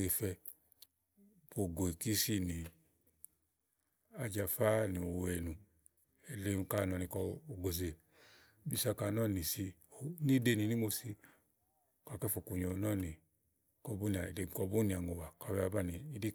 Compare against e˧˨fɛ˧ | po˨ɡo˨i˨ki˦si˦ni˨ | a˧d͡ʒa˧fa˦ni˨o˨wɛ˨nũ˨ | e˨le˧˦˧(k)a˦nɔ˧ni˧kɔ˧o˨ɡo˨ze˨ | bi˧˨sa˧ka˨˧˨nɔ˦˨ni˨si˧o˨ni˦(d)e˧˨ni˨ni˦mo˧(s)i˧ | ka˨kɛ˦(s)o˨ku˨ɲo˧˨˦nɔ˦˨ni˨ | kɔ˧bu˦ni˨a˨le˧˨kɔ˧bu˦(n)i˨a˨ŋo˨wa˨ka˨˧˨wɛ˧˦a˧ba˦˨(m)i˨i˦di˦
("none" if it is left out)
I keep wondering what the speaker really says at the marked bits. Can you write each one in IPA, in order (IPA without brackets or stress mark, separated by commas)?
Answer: k, d, s, f, n, n